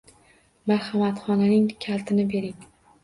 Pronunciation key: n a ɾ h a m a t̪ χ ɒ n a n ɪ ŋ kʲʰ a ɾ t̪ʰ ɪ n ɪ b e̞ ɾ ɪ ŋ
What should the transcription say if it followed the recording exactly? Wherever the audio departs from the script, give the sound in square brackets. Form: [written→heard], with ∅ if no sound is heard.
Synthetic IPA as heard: [n→m] a ɾ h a m a t̪ χ ɒ n a n ɪ ŋ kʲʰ a [ɾ→l] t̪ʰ ɪ n ɪ b e̞ ɾ ɪ ŋ